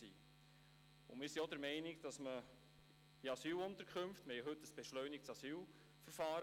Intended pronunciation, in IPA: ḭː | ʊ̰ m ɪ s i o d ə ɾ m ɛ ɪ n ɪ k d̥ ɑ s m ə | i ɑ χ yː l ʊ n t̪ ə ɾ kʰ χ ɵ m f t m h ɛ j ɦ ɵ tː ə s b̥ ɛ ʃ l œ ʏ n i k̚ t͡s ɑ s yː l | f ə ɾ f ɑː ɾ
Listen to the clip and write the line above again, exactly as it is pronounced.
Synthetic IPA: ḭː | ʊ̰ m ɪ s i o d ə ɾ m ɛ ɪ n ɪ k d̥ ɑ s m ə | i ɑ s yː l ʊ n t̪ ə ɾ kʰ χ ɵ m f t m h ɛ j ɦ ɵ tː ə s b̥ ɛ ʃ l œ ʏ n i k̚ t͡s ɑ s yː l | f ə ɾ f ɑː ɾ

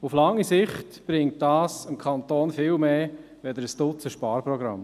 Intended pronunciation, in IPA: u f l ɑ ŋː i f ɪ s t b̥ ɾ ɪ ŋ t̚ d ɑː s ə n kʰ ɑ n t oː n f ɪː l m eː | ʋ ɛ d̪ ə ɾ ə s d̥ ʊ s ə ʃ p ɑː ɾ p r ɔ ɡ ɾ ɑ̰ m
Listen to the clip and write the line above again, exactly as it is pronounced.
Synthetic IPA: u f l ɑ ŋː i s ɪ χ t b̥ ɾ ɪ ŋ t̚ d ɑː s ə m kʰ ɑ n t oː n f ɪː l m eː | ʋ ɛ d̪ ə ɾ ə s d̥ ʊ t͡s ə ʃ p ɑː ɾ p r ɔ ɡ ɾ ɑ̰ m

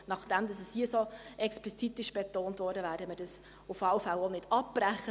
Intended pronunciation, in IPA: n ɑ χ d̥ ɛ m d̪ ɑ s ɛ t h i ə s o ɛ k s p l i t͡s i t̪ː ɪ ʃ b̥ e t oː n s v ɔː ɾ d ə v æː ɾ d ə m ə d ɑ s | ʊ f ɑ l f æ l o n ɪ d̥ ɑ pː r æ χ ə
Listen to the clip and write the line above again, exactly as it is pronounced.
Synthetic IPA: n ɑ χ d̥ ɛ m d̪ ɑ s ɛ s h i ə s o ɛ k s p l i t͡s i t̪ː ɪ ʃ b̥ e t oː n t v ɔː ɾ d ə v æː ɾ d ə m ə d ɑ s | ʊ f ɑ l f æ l o n ɪ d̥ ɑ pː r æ χ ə

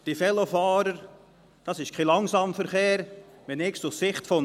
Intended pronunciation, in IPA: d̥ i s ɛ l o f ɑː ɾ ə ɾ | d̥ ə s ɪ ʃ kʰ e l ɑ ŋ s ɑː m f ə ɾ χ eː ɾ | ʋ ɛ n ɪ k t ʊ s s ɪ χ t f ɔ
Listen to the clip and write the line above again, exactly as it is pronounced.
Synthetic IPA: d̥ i f ɛ l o f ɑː ɾ ə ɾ | d̥ ɑ s ɪ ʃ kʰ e l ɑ ŋ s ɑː m f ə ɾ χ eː ɾ | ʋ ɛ n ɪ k s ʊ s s ɪ χ t f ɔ

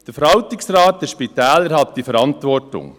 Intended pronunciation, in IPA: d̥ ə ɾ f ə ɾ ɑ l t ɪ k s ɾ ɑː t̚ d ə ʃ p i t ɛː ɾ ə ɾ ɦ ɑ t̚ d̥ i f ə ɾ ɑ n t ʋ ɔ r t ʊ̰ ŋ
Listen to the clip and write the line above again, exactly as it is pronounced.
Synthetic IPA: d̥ ə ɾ f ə ɾ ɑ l t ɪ k s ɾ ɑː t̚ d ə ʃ p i t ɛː l ə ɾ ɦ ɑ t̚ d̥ i f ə ɾ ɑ n t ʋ ɔ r t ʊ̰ ŋ

